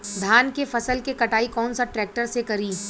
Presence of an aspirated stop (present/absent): absent